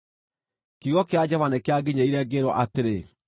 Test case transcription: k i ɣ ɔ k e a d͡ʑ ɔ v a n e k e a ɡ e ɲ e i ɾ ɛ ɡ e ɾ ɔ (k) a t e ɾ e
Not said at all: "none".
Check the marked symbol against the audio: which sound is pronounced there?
ʔ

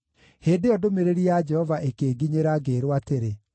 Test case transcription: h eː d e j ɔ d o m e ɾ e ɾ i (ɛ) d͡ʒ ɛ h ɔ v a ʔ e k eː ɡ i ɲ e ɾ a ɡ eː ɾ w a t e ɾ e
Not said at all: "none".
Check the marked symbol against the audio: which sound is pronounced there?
a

